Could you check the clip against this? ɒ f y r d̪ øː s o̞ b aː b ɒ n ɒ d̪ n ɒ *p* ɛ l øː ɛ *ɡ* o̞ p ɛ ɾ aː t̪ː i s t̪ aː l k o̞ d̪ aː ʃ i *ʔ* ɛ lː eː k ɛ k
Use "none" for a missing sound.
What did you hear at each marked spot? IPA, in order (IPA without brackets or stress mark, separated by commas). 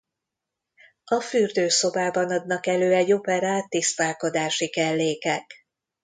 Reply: k, ɟ, k